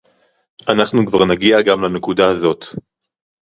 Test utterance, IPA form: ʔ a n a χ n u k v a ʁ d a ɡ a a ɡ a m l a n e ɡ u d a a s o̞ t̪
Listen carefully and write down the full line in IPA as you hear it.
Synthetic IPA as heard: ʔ a n a χ n u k v a ʁ n a ɡ i a ɡ a m l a n e k u d a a z o̞ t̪